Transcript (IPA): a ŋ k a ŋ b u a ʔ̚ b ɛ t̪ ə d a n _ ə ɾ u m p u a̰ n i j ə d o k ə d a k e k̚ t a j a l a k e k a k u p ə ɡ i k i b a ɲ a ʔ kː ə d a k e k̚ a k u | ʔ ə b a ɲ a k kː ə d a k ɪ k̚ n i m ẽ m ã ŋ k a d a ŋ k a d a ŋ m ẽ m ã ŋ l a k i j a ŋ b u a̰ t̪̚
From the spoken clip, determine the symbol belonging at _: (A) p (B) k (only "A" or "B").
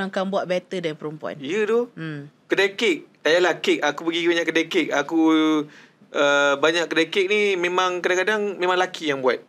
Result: A